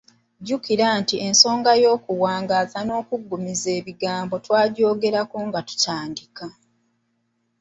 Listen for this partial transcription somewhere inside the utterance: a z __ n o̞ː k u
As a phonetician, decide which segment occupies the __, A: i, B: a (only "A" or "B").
B